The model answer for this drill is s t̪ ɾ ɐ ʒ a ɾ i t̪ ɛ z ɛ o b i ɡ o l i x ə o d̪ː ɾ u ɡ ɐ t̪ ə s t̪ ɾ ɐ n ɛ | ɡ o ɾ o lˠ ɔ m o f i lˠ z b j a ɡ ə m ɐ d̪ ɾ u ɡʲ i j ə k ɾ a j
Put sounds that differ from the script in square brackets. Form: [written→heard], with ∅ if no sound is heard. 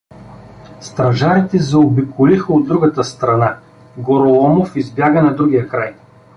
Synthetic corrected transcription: s t̪ ɾ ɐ ʒ a ɾ i t̪ ɛ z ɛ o b i [ɡ→k] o l i x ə o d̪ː ɾ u ɡ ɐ t̪ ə s t̪ ɾ ɐ n [ɛ→a] | ɡ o ɾ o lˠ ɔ m o f i [lˠ→∅] z b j a ɡ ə [m→n] ɐ d̪ ɾ u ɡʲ i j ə k ɾ a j